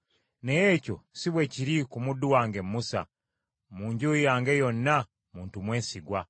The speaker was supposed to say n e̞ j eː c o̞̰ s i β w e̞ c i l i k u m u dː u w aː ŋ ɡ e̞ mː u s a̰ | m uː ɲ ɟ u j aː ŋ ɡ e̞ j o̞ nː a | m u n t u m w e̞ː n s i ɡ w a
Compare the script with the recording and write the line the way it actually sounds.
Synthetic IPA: n e̞ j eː c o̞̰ s i β w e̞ c i ɾ i k u m u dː u w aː ŋ ɡ e̞ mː u s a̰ | m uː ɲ ɟ u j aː ŋ ɡ e̞ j o̞ nː a | m uː n t u m w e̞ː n s i ɡ w a